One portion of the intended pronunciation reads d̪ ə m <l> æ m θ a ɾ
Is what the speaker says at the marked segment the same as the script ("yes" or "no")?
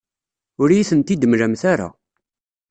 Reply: no